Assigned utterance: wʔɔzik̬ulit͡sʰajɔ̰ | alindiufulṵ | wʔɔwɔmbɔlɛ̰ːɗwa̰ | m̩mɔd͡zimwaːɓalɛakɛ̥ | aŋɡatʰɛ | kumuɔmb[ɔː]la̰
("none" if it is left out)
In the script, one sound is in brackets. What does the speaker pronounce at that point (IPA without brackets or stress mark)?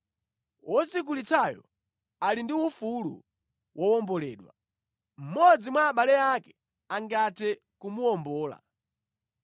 ɔː